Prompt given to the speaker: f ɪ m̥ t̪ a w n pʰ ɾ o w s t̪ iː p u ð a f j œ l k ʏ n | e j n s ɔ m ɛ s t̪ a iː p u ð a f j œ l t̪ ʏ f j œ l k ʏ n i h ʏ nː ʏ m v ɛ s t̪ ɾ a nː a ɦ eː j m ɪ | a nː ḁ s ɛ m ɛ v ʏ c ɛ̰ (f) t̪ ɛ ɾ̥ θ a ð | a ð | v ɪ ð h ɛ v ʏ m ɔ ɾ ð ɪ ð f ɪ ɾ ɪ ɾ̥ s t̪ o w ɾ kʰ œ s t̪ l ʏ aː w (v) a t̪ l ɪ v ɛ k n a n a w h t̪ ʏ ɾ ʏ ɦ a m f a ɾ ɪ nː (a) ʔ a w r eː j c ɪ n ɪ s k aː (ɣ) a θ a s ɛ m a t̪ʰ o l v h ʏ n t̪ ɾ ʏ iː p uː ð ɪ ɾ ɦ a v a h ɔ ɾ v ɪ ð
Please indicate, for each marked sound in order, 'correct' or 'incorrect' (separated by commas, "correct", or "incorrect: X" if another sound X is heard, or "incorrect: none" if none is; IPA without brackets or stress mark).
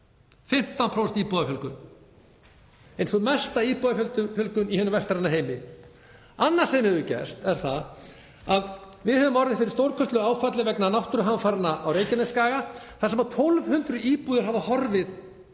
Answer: incorrect: s, incorrect: f, correct, correct